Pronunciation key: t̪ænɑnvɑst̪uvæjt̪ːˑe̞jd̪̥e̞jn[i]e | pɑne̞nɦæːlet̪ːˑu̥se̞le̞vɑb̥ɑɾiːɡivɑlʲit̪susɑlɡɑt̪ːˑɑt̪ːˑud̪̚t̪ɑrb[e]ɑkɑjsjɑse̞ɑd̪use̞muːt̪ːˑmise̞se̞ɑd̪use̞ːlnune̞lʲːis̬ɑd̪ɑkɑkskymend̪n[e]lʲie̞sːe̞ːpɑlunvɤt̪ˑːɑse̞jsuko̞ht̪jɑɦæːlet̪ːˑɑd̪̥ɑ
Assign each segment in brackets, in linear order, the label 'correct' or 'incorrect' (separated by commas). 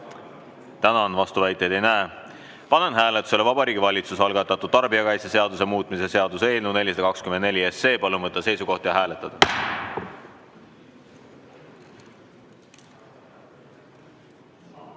incorrect, incorrect, correct